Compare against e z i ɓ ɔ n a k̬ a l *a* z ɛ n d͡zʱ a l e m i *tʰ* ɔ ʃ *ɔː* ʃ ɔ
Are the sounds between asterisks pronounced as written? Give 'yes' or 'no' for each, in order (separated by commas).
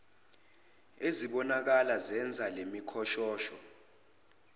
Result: yes, no, yes